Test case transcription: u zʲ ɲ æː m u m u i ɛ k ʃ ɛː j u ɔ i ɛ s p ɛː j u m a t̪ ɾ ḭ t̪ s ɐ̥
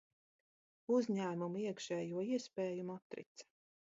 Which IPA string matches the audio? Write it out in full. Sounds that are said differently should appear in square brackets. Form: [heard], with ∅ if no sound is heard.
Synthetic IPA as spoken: u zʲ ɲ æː m u m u i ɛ k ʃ ɛː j u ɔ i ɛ s p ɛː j u m a t̪ ɾ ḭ t̪ s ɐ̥